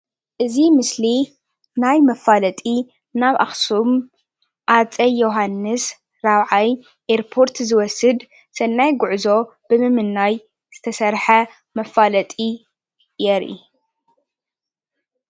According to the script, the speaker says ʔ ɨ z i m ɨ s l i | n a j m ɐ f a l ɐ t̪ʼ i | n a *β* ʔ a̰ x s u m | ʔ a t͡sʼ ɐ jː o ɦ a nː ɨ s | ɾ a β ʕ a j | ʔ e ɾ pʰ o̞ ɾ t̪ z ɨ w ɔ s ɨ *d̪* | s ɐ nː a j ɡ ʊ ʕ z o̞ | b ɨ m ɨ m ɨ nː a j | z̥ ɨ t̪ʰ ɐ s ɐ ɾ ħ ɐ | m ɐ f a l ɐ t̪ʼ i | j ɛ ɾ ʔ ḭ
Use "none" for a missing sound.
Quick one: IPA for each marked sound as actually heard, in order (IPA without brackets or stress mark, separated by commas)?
β, d̪